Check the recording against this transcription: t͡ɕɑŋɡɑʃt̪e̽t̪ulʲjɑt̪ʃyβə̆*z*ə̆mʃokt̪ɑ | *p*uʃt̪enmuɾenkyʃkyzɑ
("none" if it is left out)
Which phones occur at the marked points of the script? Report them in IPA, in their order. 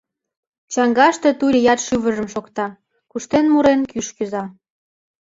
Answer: ʒ, k

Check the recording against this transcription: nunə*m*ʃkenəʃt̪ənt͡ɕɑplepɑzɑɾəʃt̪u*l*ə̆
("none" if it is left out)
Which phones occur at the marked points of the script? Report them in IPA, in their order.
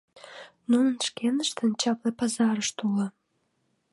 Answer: n, l

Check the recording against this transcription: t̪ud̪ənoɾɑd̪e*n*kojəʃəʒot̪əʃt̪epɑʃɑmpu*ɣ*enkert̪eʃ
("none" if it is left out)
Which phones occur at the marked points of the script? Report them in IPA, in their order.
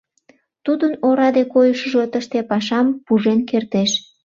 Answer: none, ʒ

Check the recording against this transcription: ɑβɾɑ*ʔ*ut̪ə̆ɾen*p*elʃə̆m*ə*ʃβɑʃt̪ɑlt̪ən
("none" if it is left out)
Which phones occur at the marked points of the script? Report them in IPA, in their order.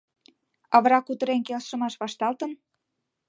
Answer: k, k, ɑ

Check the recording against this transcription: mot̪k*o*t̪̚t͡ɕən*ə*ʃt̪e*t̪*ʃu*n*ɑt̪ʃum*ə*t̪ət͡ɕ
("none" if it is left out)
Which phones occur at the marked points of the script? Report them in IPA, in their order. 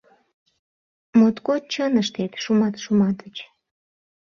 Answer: o, ə, t̪, m, ɑ

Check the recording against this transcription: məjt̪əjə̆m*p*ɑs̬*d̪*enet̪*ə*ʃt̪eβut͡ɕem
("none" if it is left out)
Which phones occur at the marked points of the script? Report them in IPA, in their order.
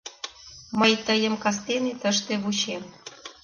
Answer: k, t̪, ə

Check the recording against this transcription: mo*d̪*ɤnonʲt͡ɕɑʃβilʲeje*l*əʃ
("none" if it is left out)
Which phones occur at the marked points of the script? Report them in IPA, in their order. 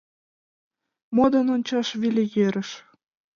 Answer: d̪, ɾ

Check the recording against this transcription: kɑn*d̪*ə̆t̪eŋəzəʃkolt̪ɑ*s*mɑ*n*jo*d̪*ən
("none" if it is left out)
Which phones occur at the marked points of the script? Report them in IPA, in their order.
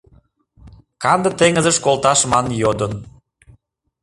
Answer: d̪, ʃ, n, d̪

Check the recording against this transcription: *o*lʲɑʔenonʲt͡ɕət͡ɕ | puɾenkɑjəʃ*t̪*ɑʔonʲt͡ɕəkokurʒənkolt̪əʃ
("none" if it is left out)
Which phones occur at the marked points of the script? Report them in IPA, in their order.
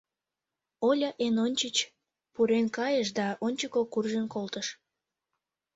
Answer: o, d̪

